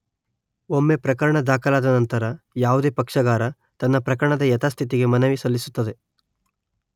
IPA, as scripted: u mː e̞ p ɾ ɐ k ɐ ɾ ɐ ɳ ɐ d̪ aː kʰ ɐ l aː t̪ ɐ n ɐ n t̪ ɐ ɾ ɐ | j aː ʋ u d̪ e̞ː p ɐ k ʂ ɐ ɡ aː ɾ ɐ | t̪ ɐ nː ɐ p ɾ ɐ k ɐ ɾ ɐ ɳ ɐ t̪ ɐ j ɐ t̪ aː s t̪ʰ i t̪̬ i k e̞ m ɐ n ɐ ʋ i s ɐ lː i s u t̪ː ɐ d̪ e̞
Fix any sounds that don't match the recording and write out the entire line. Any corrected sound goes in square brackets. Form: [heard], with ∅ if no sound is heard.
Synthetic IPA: [o] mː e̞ p ɾ ɐ k ɐ ɾ ɐ ɳ ɐ d̪ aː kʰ ɐ l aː [d̪] ɐ n ɐ n t̪ ɐ ɾ ɐ | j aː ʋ u d̪ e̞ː p ɐ k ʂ ɐ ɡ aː ɾ ɐ | t̪ ɐ nː ɐ p ɾ ɐ k ɐ ɾ ɐ ɳ ɐ [d̪] ɐ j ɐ t̪ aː s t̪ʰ i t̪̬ i [ɡ] e̞ m ɐ n ɐ ʋ i s ɐ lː i s u t̪ː ɐ d̪ e̞